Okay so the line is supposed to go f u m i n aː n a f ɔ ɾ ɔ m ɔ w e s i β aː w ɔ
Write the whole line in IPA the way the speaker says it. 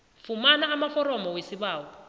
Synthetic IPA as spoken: f u m a n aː m a f ɔ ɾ ɔ m ɔ w e s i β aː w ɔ

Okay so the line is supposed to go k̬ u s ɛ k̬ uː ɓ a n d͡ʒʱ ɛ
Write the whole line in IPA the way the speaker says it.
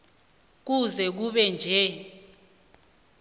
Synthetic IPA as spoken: k̬ u z ɛ k̬ u ɓ ɛ n d͡ʒʱ ɛ

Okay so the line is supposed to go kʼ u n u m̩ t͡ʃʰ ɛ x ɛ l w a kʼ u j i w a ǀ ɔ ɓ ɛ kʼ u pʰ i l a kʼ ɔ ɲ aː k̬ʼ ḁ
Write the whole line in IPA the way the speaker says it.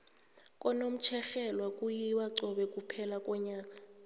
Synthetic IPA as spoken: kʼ ɔ n o m̩ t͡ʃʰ ɛ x ɛ l w a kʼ u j i w a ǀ ɔ ɓ ɛ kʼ u pʰ ɛ l a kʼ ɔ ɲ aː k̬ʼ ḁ

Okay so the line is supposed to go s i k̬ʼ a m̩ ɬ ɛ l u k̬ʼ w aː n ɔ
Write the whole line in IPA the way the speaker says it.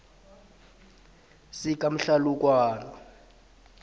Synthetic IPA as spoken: s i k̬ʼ a m̩ ɬ a l u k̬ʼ w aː n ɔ

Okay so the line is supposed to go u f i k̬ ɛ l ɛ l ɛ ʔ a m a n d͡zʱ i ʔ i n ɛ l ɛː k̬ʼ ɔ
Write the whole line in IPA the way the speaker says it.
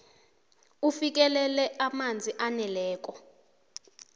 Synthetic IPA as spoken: u f i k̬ ɛ l ɛ l ɛ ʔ a m a n d͡zʱ i ʔ a n ɛ l ɛː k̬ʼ ɔ

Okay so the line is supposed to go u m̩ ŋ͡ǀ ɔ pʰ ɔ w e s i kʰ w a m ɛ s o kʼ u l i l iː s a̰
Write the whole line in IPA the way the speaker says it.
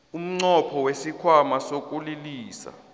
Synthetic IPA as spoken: u m̩ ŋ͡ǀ ɔ pʰ ɔ w e s i kʰ w a m a s o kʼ u l i l iː s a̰

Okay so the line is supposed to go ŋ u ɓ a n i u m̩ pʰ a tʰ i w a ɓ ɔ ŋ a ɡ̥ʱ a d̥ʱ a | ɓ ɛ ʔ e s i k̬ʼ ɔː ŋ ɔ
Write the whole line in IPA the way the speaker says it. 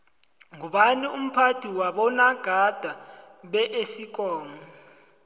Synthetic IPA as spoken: ŋ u ɓ a n i u m̩ pʰ a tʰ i w a ɓ ɔ n a ɡ̥ʱ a d̥ʱ a | ɓ ɛ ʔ e s i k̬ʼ ɔː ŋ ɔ

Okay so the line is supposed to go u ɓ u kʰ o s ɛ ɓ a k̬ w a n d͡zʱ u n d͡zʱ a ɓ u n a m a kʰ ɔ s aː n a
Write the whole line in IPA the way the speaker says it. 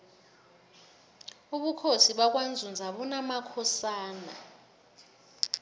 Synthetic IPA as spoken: u ɓ u kʰ o s i ɓ a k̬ w a n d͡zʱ u n d͡zʱ a ɓ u n a m a kʰ ɔ s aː n a

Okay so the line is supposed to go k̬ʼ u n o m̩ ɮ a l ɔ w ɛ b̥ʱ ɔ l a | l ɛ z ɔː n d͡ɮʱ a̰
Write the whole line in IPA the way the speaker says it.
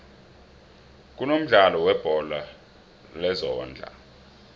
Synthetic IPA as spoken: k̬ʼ u n o m̩ ɮ a l ɔ w ɛ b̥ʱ ɔ l a | l ɛ z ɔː n d͡ɮʱ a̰

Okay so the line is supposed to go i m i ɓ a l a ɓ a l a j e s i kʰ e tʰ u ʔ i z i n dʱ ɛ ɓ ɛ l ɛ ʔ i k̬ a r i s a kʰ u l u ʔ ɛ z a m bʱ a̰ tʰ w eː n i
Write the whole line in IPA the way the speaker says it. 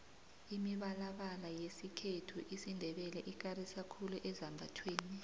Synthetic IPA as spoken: i m i ɓ a l a ɓ a l a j e s i kʰ e tʰ u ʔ i s i n dʱ ɛ ɓ ɛ l ɛ ʔ i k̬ a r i s a kʰ u l u ʔ ɛ z a m bʱ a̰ tʰ w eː n i

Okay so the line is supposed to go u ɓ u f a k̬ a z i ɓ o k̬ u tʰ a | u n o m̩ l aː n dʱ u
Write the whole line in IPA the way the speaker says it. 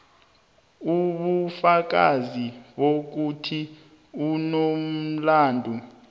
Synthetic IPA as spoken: u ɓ u f a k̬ a z i ɓ o k̬ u tʰ i | u n o m̩ l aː n dʱ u

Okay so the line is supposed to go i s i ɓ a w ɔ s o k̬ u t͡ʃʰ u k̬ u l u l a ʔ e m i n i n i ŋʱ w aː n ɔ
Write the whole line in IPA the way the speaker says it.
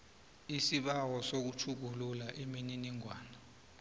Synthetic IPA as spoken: i s i ɓ a w ɔ s o k̬ u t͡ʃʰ u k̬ u l u l a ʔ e m i n i n i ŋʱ w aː n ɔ

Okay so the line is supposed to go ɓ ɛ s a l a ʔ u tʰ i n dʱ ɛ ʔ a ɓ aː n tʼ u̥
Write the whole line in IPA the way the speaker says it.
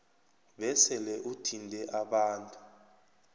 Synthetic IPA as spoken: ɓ ɛ s ɛ l ɛ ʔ u tʰ i n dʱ ɛ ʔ a ɓ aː n tʼ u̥

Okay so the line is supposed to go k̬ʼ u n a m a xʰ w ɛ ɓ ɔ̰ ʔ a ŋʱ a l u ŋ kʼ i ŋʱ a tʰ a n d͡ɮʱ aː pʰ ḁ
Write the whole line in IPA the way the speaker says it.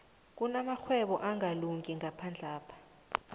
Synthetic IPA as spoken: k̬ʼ u n a m a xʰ w ɛ ɓ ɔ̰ ʔ a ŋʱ a l u ŋ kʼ i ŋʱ a pʰ a n d͡ɮʱ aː pʰ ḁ

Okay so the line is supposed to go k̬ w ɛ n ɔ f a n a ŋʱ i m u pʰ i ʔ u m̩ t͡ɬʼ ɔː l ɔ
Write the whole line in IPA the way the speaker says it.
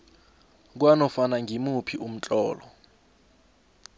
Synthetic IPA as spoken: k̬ w a n ɔ f a n a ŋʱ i m u pʰ i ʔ u m̩ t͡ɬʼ ɔː l ɔ

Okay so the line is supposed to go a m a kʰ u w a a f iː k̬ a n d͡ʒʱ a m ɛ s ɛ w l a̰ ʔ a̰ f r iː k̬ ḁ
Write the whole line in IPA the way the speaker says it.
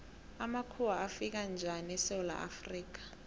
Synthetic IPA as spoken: a m a kʰ u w a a f i k̬ a n d͡ʒʱ a n ɛ s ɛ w l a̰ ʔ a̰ f r iː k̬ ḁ

